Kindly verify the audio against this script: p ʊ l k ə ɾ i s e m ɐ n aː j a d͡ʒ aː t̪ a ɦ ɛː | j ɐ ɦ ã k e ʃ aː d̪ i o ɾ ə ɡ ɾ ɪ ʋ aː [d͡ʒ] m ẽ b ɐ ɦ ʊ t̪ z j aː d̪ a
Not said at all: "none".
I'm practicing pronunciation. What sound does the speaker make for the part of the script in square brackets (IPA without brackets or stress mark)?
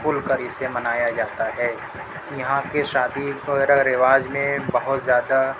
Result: d͡ʒ